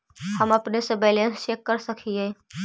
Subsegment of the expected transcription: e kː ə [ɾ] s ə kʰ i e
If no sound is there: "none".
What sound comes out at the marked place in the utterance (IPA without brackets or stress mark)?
ɾ